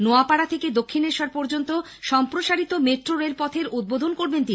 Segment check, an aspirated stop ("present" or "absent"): present